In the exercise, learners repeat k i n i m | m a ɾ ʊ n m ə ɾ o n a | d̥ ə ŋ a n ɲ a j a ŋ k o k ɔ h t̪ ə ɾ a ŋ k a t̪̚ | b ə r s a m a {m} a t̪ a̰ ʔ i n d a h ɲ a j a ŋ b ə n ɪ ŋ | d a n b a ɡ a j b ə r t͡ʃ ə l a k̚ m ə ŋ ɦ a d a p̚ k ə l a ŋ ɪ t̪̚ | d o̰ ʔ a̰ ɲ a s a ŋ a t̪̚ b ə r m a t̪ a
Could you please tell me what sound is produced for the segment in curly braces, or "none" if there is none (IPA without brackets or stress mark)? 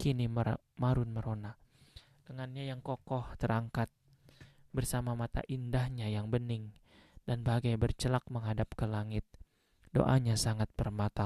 m